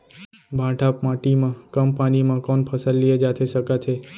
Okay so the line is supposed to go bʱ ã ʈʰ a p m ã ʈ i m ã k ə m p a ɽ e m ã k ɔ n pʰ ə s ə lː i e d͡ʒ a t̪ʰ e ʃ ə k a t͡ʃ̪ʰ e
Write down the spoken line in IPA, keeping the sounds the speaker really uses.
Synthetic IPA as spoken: bʱ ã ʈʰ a p m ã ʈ i m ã k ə m p a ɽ i m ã k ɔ n pʰ ə s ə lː i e d͡ʒ a t̪ʰ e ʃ ə k a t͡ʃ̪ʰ e

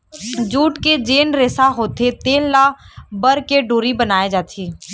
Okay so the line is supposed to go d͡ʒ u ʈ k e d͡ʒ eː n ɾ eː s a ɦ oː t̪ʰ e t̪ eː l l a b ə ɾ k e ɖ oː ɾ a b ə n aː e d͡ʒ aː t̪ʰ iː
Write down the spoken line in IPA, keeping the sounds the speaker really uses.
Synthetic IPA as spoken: d͡ʒ uː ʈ k e d͡ʒ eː n ɾ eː s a ɦ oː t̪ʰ e t̪ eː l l a b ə ɾ k e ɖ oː ɾ i b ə n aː e d͡ʒ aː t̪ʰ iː

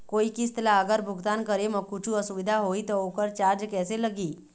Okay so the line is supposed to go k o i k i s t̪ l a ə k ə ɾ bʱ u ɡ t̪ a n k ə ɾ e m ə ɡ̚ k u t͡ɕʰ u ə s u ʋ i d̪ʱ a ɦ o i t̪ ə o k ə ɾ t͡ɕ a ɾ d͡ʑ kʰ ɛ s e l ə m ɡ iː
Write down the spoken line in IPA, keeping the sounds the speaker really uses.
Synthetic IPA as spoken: k o i k i s t̪ l a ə ɡ ə ɾ bʱ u ɡ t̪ a n k ə ɾ e m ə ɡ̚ k u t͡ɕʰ u ə s u ʋ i d̪ʱ a ɦ o i t̪ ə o k ə ɾ t͡ɕ a ɾ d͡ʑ k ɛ s e l ə ɡ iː

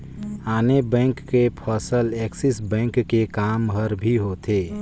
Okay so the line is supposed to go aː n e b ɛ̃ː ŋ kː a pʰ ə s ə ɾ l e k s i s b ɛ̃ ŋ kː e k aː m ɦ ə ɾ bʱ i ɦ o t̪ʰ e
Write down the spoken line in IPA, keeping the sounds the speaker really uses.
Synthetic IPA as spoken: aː n e b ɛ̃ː ŋ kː e pʰ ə s ə l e k s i s b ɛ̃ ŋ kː e k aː m ɦ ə ɾ bʱ i ɦ o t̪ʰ e

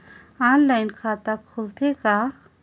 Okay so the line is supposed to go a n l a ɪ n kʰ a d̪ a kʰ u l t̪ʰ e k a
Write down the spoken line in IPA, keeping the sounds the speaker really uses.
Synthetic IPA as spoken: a n l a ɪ n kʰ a t̪ a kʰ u l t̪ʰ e k a

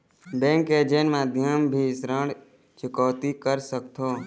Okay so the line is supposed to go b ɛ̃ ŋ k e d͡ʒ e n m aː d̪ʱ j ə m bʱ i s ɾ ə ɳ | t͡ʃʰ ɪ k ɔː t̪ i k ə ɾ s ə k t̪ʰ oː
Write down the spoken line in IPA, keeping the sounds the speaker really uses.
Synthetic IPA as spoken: b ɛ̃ ŋ k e d͡ʒ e n m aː d̪ʱ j ə m bʱ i s ɾ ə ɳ | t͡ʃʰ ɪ k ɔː t̪ i k ə ɾ s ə k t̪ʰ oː

